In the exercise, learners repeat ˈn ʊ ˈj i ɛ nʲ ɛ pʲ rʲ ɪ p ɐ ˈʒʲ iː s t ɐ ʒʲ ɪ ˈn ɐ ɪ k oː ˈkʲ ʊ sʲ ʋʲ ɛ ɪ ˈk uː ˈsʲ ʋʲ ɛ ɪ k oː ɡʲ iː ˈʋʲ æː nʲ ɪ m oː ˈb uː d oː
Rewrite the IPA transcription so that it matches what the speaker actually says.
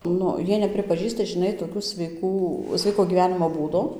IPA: ˈn ʊ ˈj i ɛ nʲ ɛ pʲ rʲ ɪ p ɐ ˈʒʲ iː s t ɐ ʒʲ ɪ ˈn ɐ ɪ t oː ˈkʲ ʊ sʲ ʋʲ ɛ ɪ ˈk uː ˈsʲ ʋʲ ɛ ɪ k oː ɡʲ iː ˈʋʲ æː nʲ ɪ m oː ˈb uː d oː